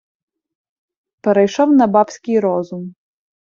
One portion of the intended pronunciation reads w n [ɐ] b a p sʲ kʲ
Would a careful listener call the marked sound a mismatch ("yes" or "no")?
no